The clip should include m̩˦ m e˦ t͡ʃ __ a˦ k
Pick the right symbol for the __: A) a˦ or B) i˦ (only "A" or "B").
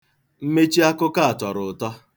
B